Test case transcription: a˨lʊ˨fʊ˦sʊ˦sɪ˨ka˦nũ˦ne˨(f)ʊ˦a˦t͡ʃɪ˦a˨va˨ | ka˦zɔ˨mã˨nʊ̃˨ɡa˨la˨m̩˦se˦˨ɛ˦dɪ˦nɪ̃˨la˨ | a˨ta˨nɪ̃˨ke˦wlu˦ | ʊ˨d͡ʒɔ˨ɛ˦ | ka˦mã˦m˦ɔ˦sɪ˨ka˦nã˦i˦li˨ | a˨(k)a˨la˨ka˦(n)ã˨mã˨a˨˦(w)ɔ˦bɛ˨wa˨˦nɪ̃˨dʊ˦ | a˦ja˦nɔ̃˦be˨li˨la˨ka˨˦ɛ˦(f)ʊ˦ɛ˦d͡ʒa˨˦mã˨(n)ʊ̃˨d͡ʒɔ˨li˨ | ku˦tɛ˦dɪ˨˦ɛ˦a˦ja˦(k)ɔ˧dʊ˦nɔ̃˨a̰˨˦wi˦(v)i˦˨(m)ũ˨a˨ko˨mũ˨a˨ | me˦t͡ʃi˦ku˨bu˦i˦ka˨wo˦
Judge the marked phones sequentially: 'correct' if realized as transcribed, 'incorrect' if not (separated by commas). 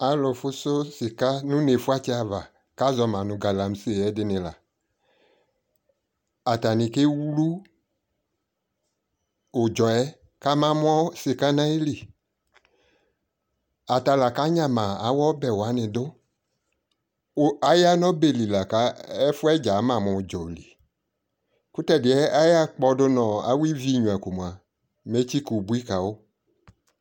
correct, incorrect, incorrect, correct, correct, incorrect, incorrect, correct, incorrect